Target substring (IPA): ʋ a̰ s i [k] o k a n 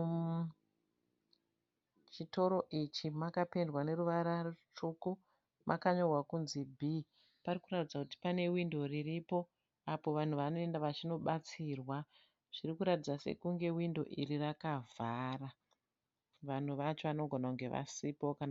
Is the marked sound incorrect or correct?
incorrect